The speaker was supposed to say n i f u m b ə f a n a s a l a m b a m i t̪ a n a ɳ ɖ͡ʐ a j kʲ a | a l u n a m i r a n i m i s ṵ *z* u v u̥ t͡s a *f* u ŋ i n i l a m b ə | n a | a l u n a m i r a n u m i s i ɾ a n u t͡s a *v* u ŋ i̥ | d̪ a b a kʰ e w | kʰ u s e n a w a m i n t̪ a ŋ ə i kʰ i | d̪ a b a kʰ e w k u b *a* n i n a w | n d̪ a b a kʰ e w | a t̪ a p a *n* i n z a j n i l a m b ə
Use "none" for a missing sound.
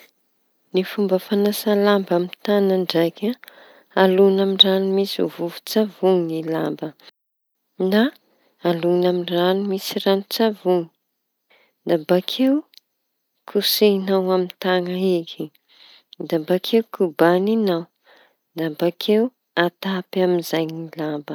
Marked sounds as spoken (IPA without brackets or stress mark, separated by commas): v, v, v, a, m